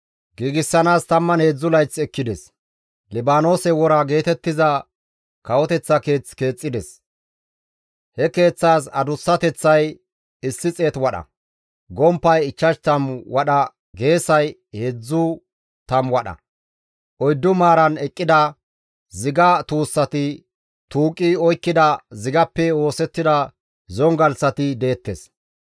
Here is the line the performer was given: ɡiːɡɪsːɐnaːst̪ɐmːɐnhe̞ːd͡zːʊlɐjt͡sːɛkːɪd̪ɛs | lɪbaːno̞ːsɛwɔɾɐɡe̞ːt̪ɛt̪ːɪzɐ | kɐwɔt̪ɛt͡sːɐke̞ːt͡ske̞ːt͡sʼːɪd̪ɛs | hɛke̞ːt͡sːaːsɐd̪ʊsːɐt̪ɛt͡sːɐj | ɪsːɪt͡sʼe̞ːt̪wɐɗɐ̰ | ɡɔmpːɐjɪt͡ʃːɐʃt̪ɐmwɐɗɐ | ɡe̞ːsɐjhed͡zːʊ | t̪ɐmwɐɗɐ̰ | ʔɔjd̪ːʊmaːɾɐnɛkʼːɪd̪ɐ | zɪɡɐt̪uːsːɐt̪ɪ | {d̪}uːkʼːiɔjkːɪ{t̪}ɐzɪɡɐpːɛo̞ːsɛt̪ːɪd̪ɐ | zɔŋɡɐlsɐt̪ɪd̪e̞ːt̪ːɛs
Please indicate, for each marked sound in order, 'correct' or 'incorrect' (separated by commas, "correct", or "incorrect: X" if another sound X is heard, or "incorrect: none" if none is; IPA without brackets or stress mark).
incorrect: t̪, incorrect: d̪